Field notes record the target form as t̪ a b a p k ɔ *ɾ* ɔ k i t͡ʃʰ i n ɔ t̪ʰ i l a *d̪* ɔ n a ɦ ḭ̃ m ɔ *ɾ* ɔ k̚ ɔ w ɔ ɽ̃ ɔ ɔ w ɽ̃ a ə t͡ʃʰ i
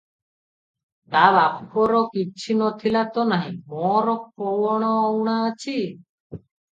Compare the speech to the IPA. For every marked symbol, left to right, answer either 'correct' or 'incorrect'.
correct, incorrect, correct

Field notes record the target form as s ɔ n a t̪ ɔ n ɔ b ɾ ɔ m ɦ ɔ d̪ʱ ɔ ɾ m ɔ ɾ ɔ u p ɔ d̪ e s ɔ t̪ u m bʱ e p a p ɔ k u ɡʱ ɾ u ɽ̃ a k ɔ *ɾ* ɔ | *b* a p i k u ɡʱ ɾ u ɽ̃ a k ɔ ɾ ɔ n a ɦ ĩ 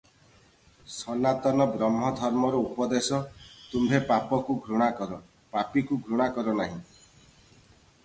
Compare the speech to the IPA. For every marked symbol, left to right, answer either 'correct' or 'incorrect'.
correct, incorrect

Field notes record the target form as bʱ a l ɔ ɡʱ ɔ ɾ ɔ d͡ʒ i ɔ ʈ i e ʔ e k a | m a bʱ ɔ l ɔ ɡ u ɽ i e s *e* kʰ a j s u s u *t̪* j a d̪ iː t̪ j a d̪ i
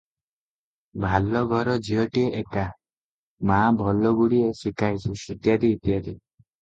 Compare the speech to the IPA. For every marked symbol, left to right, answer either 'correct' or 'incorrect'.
incorrect, correct

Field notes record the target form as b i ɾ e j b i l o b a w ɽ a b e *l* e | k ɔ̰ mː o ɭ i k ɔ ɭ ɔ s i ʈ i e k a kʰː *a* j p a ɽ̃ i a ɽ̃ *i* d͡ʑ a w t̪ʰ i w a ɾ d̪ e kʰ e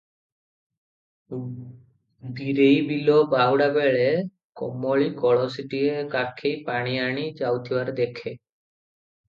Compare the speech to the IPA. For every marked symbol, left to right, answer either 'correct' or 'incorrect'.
incorrect, incorrect, correct

